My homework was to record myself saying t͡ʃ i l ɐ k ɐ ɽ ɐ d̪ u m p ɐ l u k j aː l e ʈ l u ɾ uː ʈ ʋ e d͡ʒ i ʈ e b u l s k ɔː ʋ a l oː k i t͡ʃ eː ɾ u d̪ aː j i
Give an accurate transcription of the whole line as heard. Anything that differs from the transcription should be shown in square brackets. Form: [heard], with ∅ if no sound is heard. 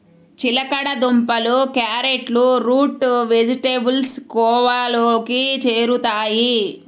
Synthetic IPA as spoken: t͡ʃ i l ɐ k ɐ ɽ ɐ d̪ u m p ɐ l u k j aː [ɾ] e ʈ l u ɾ uː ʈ ʋ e d͡ʒ i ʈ e b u l s k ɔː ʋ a l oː k i t͡ʃ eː ɾ u [t̪] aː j i